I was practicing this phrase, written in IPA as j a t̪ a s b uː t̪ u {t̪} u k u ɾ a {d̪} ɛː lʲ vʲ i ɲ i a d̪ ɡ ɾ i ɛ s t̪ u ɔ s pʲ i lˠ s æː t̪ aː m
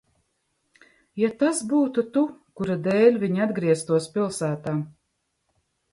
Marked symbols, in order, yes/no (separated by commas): yes, yes